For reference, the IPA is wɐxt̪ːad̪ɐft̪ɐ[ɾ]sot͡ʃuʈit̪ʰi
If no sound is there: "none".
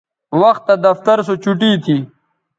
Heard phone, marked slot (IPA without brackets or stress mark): ɾ